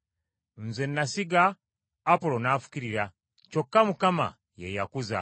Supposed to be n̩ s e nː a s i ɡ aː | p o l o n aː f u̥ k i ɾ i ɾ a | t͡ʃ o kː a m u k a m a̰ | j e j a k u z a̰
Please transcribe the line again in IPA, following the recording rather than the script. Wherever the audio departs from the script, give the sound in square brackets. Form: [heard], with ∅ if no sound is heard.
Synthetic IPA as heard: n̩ [z] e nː a s i ɡ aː | p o l o n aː f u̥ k i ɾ i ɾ a | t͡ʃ o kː a m u k a m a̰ | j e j a k u z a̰